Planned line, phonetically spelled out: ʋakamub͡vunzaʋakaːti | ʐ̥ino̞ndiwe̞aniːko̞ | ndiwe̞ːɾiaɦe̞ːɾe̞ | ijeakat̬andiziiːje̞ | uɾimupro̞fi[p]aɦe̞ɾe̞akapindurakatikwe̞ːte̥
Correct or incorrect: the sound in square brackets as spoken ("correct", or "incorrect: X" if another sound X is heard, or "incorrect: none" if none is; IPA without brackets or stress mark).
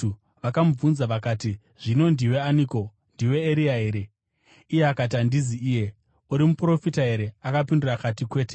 incorrect: t